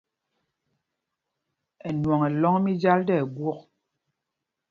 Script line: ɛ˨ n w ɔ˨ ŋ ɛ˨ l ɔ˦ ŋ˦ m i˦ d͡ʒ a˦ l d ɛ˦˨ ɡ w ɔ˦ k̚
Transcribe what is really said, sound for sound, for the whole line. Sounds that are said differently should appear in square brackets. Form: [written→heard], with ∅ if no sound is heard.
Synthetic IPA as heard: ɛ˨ n w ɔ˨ ŋ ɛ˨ l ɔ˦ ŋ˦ m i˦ d͡ʒ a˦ l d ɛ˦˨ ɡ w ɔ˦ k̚